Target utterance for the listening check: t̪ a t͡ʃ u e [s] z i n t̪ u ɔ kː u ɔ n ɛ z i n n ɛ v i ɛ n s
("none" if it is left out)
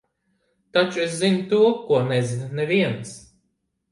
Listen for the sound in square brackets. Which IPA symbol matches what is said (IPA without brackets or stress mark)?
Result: s